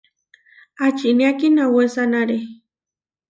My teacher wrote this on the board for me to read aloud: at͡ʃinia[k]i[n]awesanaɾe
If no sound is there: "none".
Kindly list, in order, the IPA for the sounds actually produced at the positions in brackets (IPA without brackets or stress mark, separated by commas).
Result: k, n